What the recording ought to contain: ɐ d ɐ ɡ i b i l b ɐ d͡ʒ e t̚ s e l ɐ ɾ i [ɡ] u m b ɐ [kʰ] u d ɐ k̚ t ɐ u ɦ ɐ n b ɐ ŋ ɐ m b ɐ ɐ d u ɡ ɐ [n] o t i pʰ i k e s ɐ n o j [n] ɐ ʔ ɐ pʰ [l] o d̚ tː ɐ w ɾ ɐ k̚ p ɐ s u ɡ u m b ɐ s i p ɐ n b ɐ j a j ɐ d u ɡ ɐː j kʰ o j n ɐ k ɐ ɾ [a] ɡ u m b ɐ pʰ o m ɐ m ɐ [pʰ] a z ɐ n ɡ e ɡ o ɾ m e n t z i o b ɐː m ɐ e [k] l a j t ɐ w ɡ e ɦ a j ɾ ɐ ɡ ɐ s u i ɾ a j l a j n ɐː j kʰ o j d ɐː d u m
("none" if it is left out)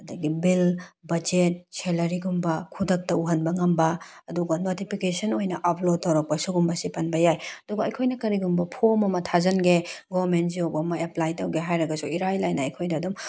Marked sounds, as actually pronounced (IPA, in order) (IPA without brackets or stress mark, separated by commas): ɡ, kʰ, n, n, l, i, tʰ, p